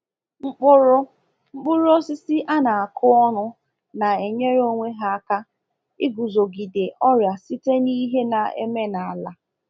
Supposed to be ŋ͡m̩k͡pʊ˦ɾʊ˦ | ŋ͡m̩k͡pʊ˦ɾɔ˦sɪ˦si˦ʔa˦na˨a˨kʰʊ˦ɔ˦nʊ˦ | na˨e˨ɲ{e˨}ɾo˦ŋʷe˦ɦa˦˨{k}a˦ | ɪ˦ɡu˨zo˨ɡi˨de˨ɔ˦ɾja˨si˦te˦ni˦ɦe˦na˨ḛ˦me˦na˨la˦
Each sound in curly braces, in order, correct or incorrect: incorrect: e˦, correct

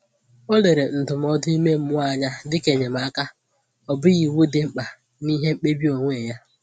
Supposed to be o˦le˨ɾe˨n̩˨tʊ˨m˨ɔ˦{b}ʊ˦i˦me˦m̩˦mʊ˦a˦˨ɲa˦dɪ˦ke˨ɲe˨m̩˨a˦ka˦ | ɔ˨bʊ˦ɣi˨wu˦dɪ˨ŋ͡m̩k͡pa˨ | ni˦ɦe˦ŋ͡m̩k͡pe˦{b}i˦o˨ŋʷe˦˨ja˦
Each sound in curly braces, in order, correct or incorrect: incorrect: d, correct

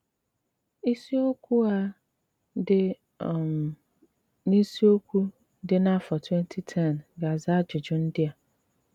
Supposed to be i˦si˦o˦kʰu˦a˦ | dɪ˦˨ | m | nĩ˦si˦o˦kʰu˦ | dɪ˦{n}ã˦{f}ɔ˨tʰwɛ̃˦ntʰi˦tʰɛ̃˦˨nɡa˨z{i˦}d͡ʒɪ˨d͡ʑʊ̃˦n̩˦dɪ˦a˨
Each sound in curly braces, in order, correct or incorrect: correct, correct, incorrect: a˦

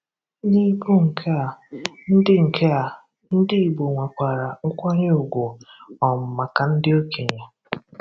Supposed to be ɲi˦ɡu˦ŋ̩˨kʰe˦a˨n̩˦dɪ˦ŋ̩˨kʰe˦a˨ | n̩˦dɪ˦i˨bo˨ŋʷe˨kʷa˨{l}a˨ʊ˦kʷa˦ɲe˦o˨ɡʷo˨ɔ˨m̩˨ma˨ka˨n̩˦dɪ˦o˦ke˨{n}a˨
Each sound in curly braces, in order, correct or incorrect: incorrect: ɾ, incorrect: ɲ

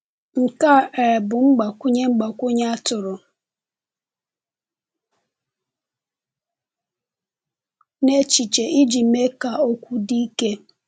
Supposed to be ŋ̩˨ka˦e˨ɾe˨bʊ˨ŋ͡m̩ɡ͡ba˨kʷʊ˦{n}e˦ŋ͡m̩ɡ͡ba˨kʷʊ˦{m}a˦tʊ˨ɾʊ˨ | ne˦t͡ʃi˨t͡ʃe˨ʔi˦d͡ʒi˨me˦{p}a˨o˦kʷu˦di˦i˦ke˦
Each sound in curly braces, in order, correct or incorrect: incorrect: ɲ, incorrect: ɲ, incorrect: k

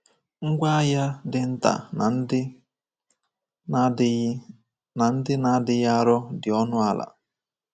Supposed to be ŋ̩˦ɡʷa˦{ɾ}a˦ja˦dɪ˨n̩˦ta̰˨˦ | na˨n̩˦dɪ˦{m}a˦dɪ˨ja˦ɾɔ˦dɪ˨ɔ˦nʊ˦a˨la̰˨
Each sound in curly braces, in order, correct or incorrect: incorrect: none, incorrect: n

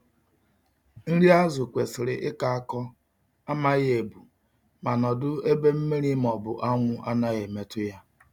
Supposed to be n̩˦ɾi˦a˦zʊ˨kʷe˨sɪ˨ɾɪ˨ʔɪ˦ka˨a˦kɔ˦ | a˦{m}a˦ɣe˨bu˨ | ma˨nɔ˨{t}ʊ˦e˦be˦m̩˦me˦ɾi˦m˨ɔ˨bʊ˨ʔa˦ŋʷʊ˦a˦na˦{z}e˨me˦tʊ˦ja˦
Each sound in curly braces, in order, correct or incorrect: correct, incorrect: d, incorrect: ɣ

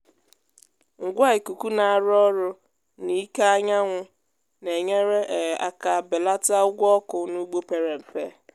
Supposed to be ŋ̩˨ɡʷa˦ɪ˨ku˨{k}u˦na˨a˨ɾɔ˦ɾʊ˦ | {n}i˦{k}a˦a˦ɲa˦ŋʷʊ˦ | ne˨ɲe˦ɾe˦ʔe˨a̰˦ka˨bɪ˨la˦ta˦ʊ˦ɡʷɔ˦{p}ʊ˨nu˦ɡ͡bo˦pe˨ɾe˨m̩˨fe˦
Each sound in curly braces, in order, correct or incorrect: correct, correct, correct, incorrect: k

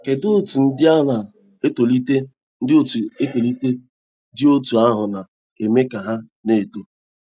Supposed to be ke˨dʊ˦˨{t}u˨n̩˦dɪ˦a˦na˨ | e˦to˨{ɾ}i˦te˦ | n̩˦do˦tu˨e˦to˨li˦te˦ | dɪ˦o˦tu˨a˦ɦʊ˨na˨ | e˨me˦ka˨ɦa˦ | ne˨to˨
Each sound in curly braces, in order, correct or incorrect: correct, incorrect: l

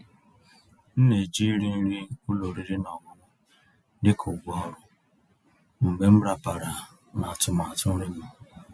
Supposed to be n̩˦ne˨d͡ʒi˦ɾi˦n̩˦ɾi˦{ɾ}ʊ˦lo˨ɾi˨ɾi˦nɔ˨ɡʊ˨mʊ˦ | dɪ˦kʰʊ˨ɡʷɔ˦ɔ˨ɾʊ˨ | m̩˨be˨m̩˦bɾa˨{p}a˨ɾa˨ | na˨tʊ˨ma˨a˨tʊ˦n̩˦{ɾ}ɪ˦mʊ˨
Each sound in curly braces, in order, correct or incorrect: incorrect: none, correct, correct

